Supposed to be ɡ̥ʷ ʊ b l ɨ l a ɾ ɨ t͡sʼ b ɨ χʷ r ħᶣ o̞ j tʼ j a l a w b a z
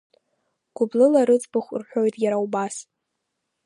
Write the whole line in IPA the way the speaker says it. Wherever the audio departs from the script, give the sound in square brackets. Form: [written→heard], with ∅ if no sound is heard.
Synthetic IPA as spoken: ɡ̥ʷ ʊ b l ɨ l a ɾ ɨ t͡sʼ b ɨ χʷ r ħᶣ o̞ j tʼ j a [l→ɾ] a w b a [z→s]